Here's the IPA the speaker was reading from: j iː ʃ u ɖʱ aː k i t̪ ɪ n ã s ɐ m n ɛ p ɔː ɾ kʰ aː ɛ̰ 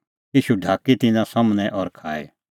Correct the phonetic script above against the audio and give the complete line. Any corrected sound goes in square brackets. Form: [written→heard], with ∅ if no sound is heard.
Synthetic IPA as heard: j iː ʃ u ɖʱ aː k i t̪ ɪ n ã s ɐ m n ɛ [p→ʔ] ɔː ɾ kʰ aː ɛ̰